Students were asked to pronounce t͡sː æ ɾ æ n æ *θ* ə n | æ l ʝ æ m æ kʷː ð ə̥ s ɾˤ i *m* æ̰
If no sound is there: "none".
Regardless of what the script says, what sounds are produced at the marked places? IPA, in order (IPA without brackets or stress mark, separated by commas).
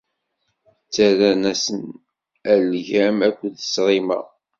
s, m